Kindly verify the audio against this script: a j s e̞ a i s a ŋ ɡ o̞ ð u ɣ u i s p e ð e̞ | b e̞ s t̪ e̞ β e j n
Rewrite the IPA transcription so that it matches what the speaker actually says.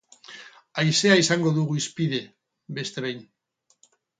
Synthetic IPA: a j s e̞ a i s a ŋ ɡ o̞ ð u ɣ u i s p i ð e̞ | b e̞ s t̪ e̞ β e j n